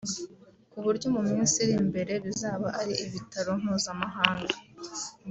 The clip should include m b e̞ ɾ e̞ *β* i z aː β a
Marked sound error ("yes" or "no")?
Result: no